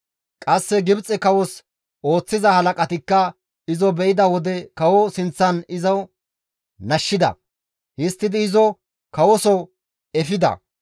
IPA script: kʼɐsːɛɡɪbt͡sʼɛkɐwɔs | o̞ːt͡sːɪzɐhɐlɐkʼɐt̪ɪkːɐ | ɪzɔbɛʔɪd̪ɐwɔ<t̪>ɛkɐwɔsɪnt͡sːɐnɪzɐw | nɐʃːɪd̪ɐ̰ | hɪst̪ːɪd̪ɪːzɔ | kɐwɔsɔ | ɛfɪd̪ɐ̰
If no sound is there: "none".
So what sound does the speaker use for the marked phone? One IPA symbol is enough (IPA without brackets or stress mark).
d̪